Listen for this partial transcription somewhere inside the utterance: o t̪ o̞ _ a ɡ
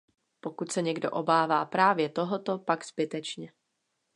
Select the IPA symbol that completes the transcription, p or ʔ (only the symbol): p